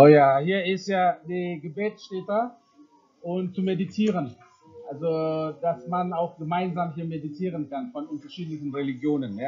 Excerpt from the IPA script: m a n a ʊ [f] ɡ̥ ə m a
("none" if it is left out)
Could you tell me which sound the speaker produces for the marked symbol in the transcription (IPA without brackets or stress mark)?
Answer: x